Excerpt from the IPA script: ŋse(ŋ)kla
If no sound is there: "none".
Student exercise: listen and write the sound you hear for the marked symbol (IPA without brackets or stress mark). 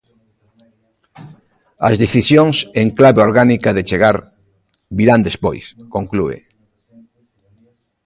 ŋ